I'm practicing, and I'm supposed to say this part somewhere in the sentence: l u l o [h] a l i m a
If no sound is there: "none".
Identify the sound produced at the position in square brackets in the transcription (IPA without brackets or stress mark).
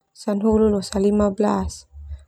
s